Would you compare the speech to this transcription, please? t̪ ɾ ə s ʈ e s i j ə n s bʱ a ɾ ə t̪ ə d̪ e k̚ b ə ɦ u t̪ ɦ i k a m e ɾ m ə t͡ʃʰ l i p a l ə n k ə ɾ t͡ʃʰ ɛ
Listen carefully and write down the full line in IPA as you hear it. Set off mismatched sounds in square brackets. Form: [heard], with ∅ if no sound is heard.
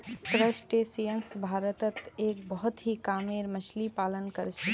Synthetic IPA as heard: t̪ ɾ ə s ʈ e s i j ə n s bʱ a ɾ ə t̪ ə [t̪] e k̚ b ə ɦ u t̪ ɦ i k a m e ɾ m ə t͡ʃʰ l i p a l ə n k ə ɾ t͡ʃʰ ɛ